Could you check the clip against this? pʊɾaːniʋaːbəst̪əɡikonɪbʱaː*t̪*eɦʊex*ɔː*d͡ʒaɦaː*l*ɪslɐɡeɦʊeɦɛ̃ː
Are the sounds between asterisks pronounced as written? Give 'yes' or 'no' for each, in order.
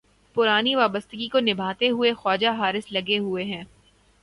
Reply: yes, yes, no

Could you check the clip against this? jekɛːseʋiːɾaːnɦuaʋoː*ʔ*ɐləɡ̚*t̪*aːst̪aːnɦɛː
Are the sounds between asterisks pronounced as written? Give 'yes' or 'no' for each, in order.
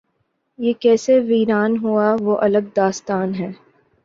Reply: yes, no

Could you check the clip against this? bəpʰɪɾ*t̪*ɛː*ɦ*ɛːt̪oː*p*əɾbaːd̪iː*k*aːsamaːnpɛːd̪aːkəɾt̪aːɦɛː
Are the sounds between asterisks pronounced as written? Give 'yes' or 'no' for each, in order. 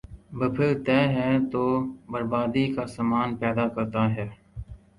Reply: yes, yes, no, yes

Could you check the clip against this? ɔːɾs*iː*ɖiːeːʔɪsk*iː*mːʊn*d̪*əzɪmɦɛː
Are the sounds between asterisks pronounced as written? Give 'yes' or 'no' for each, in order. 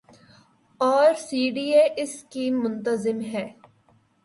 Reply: yes, yes, no

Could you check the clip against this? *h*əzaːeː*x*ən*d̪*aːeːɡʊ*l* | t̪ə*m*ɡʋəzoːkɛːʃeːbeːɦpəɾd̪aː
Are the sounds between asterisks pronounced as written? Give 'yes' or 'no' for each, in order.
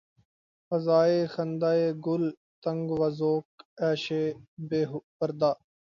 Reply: no, yes, yes, yes, no

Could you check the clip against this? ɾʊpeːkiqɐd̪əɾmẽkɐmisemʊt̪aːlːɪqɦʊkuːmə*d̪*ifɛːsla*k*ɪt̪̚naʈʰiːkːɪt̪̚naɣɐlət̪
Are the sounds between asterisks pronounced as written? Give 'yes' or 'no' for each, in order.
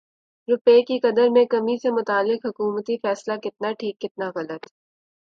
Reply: no, yes

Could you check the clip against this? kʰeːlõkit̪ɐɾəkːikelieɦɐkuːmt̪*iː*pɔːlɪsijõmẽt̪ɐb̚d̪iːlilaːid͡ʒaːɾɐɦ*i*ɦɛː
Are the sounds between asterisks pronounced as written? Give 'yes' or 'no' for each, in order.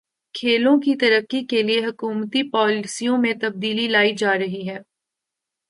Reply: no, yes

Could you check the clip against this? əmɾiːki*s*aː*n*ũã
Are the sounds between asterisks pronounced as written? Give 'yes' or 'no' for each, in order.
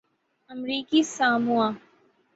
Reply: yes, no

